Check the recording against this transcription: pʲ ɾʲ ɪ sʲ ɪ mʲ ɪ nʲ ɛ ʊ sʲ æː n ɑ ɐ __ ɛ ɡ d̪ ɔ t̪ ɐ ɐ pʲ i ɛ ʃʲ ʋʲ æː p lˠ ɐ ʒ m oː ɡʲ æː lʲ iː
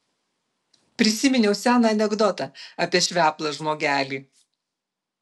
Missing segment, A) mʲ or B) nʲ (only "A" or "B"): B